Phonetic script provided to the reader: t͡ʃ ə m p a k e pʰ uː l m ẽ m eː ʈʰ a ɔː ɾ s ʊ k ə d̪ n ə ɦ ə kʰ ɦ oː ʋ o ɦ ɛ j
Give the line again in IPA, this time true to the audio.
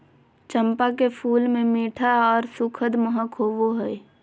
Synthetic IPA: t͡ʃ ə m p a k e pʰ uː l m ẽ m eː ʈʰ a ɔː ɾ s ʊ kʰ ə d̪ m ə ɦ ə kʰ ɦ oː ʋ o ɦ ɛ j